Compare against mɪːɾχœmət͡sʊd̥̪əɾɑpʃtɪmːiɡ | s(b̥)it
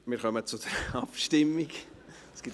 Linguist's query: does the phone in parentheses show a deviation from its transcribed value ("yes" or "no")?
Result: yes